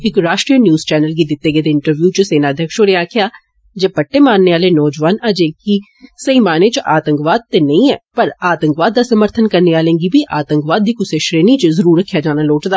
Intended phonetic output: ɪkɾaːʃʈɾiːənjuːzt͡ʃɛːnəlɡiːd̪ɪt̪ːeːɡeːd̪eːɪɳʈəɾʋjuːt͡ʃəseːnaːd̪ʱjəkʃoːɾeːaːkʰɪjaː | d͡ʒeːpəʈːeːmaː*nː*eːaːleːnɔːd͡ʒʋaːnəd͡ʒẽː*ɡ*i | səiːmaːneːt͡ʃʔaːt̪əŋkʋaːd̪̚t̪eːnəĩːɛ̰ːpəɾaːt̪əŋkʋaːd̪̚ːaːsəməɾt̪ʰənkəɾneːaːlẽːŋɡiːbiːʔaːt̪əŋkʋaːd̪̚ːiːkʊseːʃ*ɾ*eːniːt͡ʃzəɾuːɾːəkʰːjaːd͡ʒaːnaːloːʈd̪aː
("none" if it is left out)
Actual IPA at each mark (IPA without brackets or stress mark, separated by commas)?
nː, k, ɾ